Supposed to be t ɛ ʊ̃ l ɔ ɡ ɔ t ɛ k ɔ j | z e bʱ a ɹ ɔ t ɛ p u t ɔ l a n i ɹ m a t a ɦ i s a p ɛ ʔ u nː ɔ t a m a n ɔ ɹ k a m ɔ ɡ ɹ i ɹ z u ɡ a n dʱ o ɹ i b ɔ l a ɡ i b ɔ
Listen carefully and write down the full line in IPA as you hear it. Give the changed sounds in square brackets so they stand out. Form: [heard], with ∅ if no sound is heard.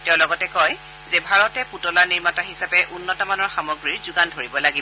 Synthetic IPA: t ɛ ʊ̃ l ɔ ɡ ɔ t ɛ k ɔ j | z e bʱ a ɹ ɔ t ɛ p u t ɔ l a n i ɹ m a t a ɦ i s a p ɛ ʔ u nː ɔ t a m a n ɔ ɹ [x] a m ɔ ɡ ɹ i ɹ z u ɡ a n dʱ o ɹ i b ɔ l a ɡ i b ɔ